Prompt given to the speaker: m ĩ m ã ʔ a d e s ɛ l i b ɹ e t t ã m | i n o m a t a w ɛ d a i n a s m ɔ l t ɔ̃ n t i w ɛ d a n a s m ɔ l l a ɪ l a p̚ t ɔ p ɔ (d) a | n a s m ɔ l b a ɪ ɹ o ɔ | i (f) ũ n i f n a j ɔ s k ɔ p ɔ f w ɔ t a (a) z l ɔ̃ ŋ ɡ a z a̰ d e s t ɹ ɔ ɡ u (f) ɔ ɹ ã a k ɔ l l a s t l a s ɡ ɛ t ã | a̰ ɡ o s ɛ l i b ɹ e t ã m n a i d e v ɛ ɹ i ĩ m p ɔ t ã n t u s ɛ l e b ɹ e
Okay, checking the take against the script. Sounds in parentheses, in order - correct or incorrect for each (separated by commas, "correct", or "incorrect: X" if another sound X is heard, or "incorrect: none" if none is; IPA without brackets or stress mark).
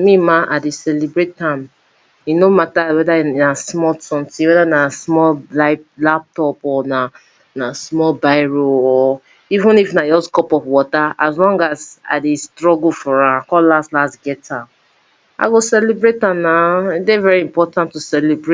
incorrect: n, incorrect: v, correct, correct